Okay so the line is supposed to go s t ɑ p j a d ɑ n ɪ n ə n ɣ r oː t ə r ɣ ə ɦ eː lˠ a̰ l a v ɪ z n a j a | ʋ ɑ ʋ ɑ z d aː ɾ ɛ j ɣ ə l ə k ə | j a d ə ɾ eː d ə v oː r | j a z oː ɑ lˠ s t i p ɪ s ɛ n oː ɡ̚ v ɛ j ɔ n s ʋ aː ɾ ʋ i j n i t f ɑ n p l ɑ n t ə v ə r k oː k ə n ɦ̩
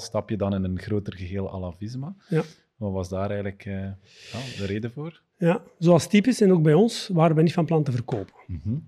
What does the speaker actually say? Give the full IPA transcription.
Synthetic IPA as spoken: s t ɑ p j ə d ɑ n ɪ n ə n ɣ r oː t ə r ɣ ə ɦ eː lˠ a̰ l a v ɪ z m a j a | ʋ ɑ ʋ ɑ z d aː ɾ ɛ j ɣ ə l ə k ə | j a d ə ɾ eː d ə v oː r | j a z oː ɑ lˠ s t i p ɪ s ɛ n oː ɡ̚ b ɛ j ɔ n s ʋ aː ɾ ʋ ɛ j n i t f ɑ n p l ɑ n t ə v ə r k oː p ə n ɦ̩